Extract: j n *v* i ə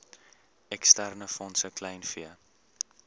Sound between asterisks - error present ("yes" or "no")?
yes